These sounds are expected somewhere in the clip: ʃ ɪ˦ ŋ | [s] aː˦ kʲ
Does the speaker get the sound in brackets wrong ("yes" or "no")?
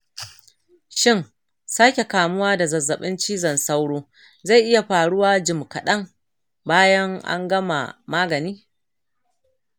no